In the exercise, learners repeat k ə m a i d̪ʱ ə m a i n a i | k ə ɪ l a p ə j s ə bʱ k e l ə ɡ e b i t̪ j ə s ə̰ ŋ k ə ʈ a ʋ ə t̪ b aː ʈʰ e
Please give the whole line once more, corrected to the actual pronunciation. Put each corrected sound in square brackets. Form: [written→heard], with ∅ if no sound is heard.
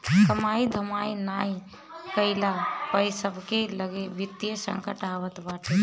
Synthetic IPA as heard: k ə m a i d̪ʱ ə m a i n a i | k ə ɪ l a p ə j s ə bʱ k e l ə ɡ e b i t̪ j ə s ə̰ ŋ k ə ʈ a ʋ ə t̪ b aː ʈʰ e

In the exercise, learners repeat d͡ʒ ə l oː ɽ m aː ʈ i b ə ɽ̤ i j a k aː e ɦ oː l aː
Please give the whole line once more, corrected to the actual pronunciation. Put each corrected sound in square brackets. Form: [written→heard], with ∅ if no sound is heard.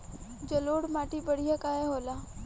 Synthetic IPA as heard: d͡ʒ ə l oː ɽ m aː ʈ i b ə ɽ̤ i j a k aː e ɦ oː l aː

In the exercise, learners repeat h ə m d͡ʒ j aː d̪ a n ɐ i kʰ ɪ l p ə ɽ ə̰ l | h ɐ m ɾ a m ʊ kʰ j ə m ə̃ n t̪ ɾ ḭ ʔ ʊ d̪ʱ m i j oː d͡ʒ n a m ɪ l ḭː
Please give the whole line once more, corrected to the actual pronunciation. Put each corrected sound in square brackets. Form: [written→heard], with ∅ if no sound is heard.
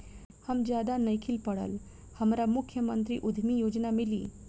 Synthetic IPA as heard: h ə m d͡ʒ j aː d̪ a n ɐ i kʰ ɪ l p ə ɽ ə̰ l | h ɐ m ɾ a m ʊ kʰ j ə m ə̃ n t̪ ɾ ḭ ʔ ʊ d̪ʱ m i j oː d͡ʒ n a m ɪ l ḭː

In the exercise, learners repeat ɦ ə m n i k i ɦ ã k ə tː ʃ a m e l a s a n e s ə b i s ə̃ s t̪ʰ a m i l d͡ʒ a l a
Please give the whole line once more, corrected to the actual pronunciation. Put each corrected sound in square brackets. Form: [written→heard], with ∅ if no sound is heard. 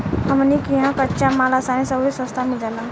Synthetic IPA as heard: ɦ ə m n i k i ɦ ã k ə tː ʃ a m [e→a] l a s a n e s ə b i s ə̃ s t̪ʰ a m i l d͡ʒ a l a

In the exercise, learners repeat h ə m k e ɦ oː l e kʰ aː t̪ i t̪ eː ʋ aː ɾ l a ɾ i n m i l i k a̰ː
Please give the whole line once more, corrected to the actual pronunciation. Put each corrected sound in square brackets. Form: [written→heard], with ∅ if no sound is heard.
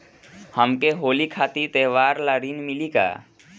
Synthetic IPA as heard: h ə m k e ɦ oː l [e→i] kʰ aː t̪ i t̪ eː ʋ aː ɾ l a ɾ i n m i l i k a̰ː

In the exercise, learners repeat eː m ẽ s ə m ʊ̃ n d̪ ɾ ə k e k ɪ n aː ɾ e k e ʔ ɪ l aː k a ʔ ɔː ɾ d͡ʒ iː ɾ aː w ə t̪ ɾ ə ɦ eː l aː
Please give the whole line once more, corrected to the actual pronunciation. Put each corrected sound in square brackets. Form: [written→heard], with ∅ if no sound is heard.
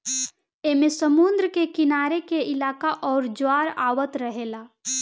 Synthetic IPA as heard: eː m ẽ s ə m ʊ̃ n d̪ ɾ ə k e k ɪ n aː ɾ e k e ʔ ɪ l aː k a ʔ ɔː ɾ d͡ʒ [iː→aː] ɾ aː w ə t̪ ɾ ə ɦ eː l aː

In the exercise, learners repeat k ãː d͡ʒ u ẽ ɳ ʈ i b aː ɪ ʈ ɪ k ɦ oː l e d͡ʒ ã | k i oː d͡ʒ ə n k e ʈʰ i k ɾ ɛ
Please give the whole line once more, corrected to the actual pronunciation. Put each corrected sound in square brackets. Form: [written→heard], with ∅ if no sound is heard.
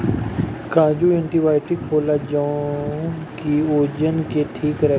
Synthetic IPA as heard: k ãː d͡ʒ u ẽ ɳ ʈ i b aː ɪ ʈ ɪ k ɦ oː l [e→a] d͡ʒ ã | k i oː d͡ʒ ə n k e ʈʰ [i→iː] k ɾ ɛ

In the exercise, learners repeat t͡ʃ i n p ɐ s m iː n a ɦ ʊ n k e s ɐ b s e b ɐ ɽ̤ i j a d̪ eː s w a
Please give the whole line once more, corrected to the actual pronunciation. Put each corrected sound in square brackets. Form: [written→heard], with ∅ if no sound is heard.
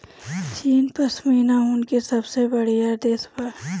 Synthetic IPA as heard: t͡ʃ [i→iː] n p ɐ s m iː n a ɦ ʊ n k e s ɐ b s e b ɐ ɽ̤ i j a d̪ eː s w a

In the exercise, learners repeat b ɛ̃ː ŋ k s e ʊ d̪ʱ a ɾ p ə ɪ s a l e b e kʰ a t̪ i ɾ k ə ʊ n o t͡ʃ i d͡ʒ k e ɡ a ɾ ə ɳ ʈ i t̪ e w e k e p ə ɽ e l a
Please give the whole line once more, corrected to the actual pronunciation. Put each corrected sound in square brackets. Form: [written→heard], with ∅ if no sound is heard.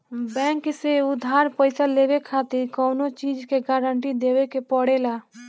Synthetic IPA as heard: b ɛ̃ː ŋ k s e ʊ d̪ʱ a ɾ p ə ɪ s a l e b e kʰ a t̪ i ɾ k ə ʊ n o t͡ʃ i d͡ʒ k e ɡ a ɾ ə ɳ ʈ i [t̪→d̪] e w e k e p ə ɽ e l a

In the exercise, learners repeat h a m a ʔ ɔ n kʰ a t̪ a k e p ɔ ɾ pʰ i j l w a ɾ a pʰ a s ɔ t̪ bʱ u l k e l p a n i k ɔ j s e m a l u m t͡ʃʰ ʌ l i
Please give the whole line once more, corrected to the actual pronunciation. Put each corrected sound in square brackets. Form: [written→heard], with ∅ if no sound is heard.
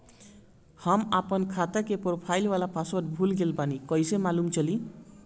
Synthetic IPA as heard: h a m a [ʔ→p] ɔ n kʰ a t̪ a k e p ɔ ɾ pʰ [i→a] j l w a [ɾ→l] a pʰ a s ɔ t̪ bʱ u l [k→ɡ] e l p a n i k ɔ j s e m a l u m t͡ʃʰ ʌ l i

